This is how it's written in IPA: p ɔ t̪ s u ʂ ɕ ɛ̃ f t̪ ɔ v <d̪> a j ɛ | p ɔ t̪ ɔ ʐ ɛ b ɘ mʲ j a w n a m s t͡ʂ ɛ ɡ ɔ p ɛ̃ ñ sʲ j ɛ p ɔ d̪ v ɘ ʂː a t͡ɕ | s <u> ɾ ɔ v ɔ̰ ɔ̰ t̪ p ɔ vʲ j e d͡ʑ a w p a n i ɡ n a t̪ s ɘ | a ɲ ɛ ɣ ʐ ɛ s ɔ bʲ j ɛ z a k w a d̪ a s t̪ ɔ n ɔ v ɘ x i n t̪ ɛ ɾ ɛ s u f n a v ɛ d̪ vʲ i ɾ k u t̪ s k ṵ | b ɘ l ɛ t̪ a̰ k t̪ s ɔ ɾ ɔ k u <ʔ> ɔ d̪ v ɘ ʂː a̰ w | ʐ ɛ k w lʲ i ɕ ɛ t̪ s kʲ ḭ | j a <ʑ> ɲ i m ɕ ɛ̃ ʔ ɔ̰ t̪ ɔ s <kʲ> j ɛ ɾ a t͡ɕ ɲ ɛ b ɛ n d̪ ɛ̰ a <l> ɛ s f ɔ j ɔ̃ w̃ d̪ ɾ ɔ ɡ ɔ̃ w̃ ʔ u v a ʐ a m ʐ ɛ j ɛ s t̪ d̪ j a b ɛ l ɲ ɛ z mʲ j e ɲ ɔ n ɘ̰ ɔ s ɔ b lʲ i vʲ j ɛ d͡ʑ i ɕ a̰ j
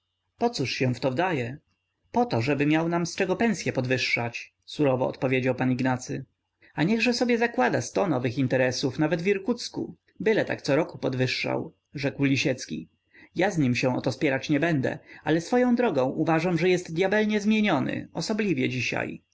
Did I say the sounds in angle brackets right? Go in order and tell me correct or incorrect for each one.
correct, correct, incorrect: p, incorrect: z, incorrect: pʲ, correct

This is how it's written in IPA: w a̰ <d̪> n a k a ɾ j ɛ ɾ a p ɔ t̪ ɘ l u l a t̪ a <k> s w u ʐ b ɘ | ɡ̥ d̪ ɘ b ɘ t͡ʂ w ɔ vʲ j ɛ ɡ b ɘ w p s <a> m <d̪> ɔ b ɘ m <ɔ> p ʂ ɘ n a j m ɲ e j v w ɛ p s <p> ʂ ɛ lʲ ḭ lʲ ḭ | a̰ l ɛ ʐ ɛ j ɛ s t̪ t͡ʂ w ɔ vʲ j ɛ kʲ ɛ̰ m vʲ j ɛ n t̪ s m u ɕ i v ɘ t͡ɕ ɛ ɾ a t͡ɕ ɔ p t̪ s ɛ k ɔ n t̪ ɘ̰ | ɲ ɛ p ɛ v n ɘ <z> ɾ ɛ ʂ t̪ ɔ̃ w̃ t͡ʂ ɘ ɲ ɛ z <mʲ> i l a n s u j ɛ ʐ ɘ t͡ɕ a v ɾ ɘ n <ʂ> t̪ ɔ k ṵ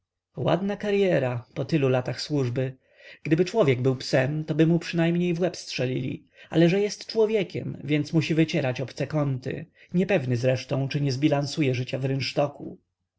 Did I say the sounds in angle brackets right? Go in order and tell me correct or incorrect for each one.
correct, incorrect: x, incorrect: ɛ, incorrect: t̪, incorrect: u, incorrect: t, correct, incorrect: bʲ, correct

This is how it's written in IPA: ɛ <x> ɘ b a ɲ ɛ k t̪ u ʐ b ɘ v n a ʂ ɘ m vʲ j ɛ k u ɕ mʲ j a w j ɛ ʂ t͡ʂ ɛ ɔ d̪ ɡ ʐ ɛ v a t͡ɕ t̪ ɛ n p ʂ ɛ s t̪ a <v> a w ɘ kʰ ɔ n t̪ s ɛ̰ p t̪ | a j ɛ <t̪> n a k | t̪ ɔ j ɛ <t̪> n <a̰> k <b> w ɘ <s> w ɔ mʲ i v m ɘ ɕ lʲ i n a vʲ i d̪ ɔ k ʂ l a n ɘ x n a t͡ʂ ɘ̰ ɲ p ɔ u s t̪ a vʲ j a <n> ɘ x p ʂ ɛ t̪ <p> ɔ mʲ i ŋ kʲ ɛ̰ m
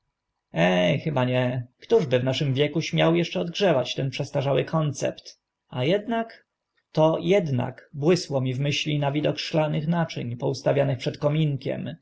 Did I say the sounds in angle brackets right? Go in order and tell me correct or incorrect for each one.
correct, incorrect: ʐ, incorrect: d̪, incorrect: d̪, correct, correct, correct, correct, incorrect: k

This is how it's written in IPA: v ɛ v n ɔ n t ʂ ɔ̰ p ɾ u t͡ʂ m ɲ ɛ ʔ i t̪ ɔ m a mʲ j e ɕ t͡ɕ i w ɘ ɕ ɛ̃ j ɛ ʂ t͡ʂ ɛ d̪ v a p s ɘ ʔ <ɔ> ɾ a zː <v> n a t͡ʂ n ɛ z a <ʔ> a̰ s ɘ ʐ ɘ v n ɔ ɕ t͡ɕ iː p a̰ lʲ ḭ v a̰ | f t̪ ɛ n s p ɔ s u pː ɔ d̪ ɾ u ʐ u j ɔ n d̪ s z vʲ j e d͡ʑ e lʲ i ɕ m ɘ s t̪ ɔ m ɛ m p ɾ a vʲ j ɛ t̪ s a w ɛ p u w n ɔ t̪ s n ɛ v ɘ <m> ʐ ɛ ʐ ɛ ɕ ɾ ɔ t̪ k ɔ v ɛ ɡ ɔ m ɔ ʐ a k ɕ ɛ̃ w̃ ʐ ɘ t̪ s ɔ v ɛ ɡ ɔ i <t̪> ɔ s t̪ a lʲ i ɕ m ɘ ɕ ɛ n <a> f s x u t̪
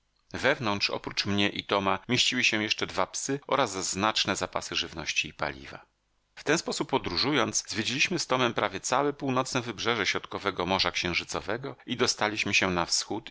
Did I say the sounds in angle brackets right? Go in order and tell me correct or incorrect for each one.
correct, incorrect: z, incorrect: p, incorrect: b, incorrect: d̪, correct

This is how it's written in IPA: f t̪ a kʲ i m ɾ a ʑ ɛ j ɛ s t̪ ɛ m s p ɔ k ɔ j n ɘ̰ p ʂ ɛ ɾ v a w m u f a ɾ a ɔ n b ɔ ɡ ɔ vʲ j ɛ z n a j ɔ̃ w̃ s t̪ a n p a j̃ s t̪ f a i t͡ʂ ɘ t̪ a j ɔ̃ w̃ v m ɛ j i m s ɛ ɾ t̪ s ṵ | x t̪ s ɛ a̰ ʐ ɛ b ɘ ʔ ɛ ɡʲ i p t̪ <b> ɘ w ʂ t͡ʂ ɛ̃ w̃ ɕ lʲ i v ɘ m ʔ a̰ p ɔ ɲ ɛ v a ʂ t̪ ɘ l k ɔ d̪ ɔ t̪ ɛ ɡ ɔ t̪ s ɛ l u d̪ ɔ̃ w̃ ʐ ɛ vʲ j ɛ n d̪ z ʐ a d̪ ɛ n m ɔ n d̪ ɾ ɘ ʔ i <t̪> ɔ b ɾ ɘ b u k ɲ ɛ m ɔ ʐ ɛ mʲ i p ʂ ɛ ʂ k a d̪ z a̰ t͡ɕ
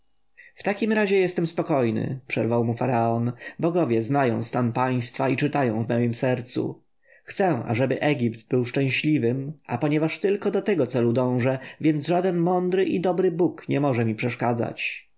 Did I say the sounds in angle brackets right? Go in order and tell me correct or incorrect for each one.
correct, incorrect: d̪

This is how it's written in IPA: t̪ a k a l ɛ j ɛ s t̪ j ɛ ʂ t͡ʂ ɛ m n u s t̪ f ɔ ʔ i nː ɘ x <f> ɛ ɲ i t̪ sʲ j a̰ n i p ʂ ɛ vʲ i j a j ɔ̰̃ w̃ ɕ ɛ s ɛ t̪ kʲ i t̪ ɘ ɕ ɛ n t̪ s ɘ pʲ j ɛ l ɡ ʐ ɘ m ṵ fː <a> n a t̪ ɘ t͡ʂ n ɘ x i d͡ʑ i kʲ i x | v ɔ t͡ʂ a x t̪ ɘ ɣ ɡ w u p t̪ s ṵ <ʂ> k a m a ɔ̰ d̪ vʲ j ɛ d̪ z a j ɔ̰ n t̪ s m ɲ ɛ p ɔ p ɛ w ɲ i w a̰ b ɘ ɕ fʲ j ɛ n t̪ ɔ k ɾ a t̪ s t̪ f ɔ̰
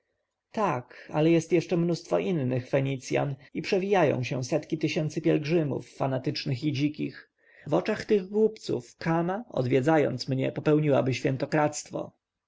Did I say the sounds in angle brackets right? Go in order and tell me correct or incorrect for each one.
correct, correct, incorrect: f

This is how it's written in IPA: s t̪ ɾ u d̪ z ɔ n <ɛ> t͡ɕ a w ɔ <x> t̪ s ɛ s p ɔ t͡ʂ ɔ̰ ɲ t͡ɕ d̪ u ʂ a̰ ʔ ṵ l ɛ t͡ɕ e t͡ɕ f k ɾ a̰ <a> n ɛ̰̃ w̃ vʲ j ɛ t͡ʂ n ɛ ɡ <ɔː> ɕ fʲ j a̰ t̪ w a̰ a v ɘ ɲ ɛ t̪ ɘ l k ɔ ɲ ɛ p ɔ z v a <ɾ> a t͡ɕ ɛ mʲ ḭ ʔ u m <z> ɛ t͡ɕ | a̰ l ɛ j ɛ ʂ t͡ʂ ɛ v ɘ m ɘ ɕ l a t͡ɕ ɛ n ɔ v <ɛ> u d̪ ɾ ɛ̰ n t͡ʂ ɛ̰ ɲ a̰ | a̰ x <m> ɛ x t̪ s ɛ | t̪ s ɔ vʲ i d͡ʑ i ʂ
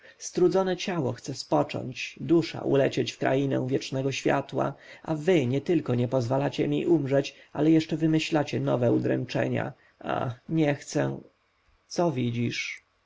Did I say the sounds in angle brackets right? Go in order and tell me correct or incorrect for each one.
correct, correct, incorrect: i, incorrect: ɔ, incorrect: l, incorrect: ʐ, correct, incorrect: ɲ

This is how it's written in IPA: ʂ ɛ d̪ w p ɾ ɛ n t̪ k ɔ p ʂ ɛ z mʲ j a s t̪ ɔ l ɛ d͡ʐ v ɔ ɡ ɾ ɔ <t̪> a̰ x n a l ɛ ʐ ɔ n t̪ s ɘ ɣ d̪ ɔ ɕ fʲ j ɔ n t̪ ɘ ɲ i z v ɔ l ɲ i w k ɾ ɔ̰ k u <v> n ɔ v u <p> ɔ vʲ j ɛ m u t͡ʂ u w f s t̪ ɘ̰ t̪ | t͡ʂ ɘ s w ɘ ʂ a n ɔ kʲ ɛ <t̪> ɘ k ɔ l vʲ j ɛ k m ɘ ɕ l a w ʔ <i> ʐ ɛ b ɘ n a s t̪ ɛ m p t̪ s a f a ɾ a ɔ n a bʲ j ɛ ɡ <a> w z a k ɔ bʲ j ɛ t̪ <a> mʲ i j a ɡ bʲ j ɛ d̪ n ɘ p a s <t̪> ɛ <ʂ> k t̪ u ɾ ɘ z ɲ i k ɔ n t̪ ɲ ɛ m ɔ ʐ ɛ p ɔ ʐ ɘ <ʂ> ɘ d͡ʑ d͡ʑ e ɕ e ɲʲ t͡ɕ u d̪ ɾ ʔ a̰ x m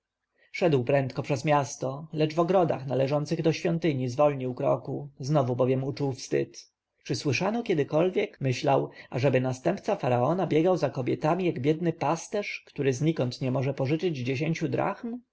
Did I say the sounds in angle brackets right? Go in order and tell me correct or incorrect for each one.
incorrect: d̪, incorrect: z, incorrect: b, incorrect: d̪, incorrect: a, correct, correct, correct, correct, incorrect: t͡ʂ

